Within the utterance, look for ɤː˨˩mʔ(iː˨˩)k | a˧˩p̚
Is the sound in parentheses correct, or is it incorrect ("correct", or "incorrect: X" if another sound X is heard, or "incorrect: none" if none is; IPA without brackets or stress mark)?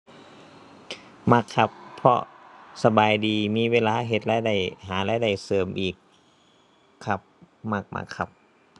correct